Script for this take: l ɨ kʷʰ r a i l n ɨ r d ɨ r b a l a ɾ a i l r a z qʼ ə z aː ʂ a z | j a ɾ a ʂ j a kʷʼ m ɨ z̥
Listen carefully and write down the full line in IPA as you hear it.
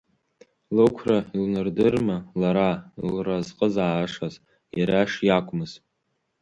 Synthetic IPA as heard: l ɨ kʷʰ r a i l n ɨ r d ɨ r m a l a ɾ a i l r a z qʼ ə z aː ʂ a z | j a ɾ a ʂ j a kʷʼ m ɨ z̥